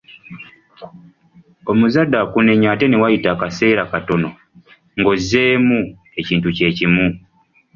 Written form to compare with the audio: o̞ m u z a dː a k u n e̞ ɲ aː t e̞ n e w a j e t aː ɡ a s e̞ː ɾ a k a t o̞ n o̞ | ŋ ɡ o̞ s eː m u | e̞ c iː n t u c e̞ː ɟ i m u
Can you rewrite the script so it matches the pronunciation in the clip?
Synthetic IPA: o̞ m u z a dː a k u n e̞ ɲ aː t e̞ n e w a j i t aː k a s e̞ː ɾ a k a t o̞ n o̞ | ŋ ɡ o̞ z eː m u | e̞ c iː n t u c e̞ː c i m u

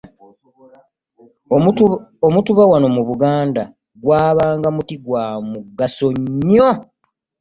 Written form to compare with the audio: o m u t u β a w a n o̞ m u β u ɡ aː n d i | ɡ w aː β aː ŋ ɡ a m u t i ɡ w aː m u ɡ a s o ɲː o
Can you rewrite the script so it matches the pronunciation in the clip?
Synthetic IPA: o m u t u β a w a n o̞ m u β u ɡ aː n d a | ɡ w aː β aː ŋ ɡ a m u t i ɡ w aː m u ɡ a s o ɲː o

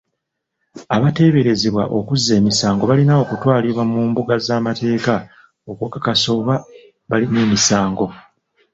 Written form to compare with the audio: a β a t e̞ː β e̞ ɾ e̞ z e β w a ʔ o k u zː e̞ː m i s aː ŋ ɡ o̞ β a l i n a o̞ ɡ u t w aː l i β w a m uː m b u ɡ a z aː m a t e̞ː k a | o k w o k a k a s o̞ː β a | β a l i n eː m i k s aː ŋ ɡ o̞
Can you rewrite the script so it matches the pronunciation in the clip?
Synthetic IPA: a β a t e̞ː β e̞ ɾ e̞ z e β w a ʔ o k u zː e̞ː m i s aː ŋ ɡ o̞ β a l i n a o̞ k u t w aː l i β w a m uː m b u ɡ a z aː m a t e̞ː k a | o k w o k a k a s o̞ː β a | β a l i n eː m i s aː ŋ ɡ o̞

